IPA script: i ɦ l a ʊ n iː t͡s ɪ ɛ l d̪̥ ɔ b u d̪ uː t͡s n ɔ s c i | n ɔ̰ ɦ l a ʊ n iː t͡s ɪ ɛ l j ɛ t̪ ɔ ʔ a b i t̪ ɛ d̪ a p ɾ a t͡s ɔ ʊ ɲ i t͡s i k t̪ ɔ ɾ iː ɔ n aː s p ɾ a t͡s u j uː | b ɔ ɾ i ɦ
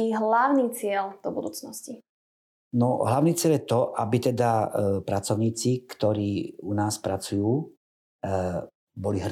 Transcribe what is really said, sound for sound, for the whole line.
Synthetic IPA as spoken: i ɦ l a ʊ n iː t͡s ɪ ɛ l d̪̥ ɔ b u d̪ uː t͡s n ɔ s c i | n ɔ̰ ɦ l a ʊ n iː t͡s ɪ ɛ l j ɛ t̪ ɔ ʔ a b i t̪ ɛ d̪ a p ɾ a t͡s ɔ ʊ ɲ iː t͡s i k t̪ ɔ ɾ iː u n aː s p ɾ a t͡s u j uː | b ɔ l i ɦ